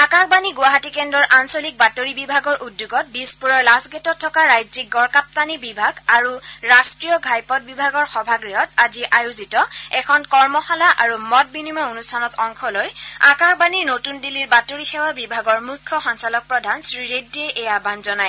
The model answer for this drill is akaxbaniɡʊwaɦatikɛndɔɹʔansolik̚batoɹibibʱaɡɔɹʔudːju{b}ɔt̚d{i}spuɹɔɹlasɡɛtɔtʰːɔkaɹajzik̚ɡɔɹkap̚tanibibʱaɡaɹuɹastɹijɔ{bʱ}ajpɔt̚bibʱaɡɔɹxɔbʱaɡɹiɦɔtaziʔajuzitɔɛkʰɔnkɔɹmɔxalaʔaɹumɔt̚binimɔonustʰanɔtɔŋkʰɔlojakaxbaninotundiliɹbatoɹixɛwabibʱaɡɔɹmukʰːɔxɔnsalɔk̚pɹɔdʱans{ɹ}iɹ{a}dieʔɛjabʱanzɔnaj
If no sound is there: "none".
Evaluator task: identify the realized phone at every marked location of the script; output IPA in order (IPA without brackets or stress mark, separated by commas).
ɡ, i, ɡʱ, ɹ, e